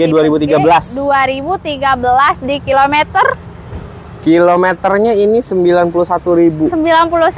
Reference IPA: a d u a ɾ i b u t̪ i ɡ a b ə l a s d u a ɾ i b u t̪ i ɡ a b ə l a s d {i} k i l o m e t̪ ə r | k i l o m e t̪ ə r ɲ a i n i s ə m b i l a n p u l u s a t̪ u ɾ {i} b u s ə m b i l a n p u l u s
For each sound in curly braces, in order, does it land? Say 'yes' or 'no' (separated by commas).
yes, yes